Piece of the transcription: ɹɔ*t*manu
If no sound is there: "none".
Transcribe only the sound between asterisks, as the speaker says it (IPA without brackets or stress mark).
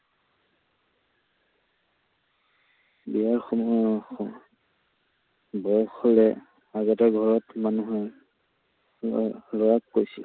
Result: t